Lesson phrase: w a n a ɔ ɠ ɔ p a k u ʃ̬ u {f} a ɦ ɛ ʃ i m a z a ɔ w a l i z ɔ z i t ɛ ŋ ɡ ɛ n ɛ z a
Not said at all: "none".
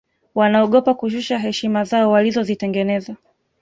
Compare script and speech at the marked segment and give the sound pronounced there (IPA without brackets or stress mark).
ʃ